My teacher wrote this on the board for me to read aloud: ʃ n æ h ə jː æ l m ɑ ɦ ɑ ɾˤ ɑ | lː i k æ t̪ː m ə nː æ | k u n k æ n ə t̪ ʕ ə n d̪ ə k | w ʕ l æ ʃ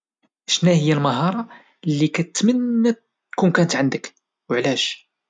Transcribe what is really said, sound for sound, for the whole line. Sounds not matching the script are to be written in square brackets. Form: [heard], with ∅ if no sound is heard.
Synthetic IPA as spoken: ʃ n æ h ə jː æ l m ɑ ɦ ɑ ɾˤ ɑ | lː i k æ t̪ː m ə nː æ | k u n k æ n ə t̪ ʕ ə n d̪ ə k | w ʕ l æ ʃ